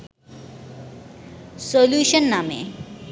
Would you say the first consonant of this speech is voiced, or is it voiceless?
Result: voiceless